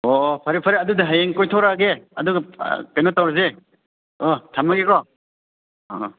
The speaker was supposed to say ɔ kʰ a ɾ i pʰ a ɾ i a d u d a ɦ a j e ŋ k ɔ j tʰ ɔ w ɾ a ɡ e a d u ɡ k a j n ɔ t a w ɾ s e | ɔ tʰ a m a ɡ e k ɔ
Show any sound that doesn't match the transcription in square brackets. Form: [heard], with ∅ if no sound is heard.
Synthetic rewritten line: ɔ [pʰ] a ɾ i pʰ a ɾ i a d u d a ɦ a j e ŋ k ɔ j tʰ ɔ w ɾ a ɡ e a d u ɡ k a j n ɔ t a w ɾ [z] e | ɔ tʰ a m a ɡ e k ɔ